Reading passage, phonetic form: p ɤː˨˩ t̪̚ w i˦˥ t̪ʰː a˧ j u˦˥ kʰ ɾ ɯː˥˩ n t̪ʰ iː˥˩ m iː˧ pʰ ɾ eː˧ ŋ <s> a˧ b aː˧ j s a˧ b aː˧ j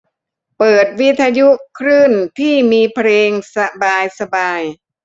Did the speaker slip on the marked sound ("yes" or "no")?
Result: no